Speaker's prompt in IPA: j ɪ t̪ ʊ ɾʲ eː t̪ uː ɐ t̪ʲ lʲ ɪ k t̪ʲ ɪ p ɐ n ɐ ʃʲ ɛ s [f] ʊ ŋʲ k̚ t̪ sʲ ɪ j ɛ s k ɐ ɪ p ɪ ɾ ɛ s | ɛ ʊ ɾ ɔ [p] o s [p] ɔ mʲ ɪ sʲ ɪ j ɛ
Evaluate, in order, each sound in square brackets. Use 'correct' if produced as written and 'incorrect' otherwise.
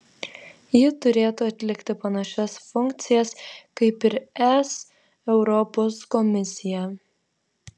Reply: correct, correct, incorrect

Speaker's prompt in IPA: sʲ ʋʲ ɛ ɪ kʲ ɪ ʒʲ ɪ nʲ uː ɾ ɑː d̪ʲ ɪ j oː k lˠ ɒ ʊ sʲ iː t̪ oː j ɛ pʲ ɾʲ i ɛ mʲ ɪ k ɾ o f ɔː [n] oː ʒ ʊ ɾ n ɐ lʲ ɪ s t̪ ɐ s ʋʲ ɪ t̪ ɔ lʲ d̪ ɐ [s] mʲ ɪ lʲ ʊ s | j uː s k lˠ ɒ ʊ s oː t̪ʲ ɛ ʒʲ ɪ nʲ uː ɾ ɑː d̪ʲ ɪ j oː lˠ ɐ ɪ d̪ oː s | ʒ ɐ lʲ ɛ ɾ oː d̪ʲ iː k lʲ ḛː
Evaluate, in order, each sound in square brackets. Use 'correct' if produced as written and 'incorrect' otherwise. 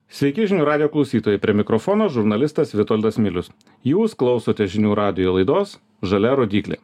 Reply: correct, correct

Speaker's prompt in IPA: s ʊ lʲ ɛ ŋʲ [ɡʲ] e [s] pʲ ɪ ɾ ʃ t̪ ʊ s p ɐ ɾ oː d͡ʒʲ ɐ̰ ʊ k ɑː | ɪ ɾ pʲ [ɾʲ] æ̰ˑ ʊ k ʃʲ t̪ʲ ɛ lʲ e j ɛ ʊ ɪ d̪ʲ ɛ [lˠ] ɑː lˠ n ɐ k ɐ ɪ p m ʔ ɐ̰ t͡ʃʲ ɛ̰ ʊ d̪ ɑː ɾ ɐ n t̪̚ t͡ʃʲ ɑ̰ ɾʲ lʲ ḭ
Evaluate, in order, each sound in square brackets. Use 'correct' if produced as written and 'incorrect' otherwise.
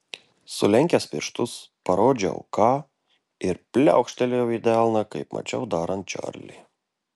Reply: incorrect, correct, incorrect, incorrect

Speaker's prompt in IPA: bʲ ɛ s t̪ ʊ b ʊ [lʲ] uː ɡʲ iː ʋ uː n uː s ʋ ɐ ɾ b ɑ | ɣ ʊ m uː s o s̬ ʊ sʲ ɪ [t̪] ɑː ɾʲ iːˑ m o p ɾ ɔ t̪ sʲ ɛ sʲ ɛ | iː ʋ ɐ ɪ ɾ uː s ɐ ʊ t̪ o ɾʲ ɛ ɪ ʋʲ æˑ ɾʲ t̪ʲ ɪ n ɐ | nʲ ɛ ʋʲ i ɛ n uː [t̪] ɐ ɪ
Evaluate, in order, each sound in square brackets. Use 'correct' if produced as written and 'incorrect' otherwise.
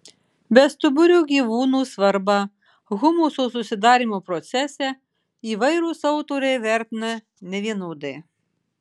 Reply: incorrect, incorrect, incorrect

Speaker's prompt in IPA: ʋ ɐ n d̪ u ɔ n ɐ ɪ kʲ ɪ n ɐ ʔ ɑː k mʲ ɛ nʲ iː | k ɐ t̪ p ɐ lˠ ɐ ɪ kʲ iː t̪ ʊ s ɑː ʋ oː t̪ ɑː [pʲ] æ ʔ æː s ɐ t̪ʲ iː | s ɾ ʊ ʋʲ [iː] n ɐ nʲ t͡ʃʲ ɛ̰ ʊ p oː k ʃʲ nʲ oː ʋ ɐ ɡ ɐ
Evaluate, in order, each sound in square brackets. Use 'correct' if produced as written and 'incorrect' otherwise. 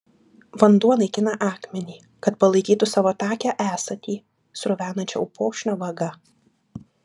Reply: incorrect, incorrect

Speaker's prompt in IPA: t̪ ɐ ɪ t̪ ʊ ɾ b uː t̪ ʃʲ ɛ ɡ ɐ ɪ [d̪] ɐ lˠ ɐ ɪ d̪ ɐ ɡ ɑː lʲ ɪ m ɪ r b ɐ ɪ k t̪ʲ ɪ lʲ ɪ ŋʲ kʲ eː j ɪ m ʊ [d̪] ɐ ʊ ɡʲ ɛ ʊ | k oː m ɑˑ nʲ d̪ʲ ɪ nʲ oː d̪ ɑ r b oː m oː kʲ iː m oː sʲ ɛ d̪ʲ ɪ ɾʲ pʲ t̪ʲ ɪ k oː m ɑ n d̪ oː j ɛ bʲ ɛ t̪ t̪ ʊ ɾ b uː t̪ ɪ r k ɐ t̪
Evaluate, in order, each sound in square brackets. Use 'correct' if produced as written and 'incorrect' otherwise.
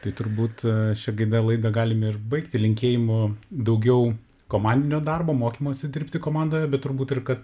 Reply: correct, correct

